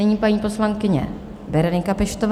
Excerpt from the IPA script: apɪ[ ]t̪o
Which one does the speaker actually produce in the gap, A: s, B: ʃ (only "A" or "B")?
B